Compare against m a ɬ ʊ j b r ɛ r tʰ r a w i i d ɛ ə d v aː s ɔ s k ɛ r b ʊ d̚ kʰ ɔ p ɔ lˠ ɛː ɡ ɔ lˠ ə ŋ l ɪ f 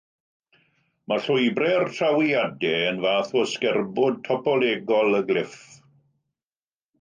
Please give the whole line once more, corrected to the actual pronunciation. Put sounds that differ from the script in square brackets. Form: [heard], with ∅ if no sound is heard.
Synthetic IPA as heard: m a ɬ ʊ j b r ɛ r tʰ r a w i [a] d ɛ ə [n] v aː [θ] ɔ s k ɛ r b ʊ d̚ [tʰ] ɔ p ɔ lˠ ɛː ɡ ɔ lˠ ə [ɡ] l ɪ f